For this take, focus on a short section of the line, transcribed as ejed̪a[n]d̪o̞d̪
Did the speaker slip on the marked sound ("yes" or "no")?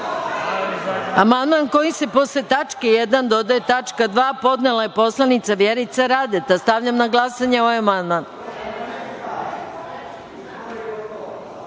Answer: no